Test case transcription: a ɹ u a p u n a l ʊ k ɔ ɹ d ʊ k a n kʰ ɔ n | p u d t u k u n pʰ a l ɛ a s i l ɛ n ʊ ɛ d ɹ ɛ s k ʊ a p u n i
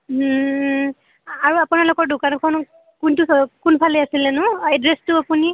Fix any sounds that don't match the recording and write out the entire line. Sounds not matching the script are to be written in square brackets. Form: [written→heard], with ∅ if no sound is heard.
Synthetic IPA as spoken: a ɹ u a p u n a l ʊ k ɔ ɹ d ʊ k a n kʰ ɔ n | [p→k] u [d→n] t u k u n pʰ a l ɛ a s i l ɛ n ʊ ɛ d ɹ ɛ s [k→t] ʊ a p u n i